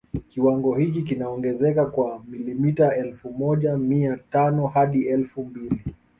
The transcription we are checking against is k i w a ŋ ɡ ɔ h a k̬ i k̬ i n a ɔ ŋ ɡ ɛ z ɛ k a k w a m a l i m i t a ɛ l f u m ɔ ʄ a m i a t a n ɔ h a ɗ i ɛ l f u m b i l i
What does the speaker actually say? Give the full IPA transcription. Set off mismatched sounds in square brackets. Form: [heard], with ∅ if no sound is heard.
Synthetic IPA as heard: k i w a ŋ ɡ ɔ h [i] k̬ i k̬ i n a ɔ ŋ ɡ ɛ z ɛ k a k w a m [i] l i m i t a ɛ l f u m ɔ ʄ a m i a t a n ɔ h a ɗ i ɛ l f u m b i l i